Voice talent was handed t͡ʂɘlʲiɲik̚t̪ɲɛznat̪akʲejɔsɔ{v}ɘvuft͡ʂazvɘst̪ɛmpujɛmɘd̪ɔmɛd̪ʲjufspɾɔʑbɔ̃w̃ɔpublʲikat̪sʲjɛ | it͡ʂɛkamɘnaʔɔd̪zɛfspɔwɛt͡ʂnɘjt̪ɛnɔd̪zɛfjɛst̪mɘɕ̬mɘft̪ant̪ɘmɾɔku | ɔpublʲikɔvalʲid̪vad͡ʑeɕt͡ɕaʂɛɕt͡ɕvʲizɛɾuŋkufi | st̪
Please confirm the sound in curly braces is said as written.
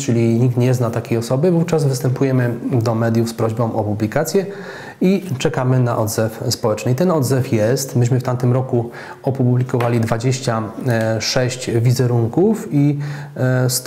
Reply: no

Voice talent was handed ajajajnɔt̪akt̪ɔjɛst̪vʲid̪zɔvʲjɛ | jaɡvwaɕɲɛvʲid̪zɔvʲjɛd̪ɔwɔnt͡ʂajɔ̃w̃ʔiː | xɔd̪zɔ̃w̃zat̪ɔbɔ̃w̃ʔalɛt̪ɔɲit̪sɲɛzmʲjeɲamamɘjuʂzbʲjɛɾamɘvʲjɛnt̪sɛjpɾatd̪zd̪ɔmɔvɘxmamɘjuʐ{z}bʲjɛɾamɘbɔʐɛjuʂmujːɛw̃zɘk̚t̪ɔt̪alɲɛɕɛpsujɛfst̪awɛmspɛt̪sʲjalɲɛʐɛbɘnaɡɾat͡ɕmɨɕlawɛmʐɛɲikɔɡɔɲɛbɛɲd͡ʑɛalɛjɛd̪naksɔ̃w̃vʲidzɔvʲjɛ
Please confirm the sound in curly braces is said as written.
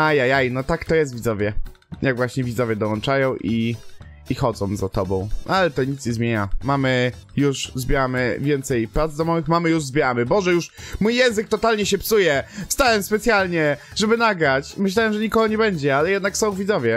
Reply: yes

